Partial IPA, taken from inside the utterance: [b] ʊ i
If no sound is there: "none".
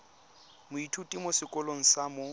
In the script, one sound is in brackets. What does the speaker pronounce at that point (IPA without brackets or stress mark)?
m